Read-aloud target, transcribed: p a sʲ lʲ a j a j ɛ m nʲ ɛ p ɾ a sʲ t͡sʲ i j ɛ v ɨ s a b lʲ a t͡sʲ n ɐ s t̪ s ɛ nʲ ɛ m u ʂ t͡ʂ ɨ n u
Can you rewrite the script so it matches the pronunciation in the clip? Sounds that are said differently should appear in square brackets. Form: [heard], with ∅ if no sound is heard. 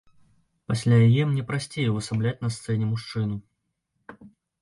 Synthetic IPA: p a sʲ lʲ a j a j ɛ m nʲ ɛ p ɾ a sʲ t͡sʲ [e] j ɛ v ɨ s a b lʲ a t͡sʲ n ɐ s t̪ s ɛ nʲ ɛ m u ʂ t͡ʂ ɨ n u